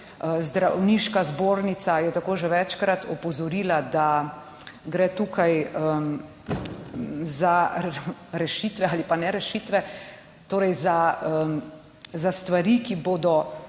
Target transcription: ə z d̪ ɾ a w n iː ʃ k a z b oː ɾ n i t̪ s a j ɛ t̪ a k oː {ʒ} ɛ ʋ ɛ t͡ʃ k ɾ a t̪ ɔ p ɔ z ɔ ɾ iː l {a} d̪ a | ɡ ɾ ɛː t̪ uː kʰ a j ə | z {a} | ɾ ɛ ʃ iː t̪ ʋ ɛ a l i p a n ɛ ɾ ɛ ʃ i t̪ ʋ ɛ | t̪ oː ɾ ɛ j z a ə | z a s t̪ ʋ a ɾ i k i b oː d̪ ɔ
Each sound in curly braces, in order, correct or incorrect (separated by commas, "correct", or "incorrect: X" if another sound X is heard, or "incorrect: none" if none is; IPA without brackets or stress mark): correct, correct, correct